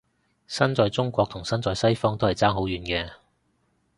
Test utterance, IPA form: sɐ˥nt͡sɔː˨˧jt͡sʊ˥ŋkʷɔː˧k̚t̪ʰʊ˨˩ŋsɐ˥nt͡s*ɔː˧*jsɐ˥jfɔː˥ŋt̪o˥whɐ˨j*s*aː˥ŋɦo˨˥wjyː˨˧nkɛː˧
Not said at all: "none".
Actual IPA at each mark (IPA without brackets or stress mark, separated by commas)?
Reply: ɔː˧, t͡s